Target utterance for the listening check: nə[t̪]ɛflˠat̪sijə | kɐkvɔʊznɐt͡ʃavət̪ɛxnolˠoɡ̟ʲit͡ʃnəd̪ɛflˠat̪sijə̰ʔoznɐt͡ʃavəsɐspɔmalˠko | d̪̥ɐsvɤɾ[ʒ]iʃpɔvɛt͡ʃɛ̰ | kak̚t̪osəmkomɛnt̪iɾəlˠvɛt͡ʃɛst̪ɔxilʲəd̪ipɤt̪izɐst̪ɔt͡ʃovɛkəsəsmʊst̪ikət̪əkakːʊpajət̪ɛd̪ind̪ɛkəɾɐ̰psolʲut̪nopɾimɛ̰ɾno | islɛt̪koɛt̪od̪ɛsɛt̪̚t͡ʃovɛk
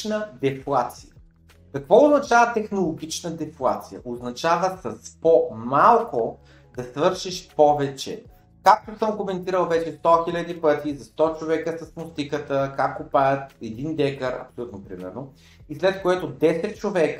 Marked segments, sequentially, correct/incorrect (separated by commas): incorrect, incorrect